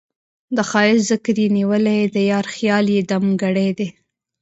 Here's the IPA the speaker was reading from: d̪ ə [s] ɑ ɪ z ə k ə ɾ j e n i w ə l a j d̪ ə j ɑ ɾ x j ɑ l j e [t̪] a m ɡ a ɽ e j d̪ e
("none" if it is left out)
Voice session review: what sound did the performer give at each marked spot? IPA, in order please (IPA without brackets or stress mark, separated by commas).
x, d̪